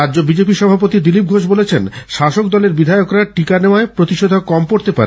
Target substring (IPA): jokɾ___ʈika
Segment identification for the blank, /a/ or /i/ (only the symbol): a